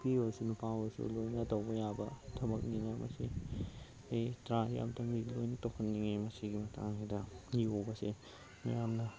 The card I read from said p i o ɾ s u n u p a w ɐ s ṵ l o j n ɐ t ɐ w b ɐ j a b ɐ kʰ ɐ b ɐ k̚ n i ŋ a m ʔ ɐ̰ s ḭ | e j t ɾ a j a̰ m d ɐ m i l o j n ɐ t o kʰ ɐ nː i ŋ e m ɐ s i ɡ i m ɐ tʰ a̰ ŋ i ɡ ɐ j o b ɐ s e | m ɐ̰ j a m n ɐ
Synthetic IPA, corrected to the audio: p i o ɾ s u n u p a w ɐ s ṵ l o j n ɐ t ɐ w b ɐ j a b ɐ tʰ ɐ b ɐ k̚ n i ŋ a m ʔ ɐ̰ s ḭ | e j t ɾ a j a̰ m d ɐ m i l o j n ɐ t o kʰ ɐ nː i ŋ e m ɐ s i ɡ i m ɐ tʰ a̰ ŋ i d ɐ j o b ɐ s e | m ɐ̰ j a m n ɐ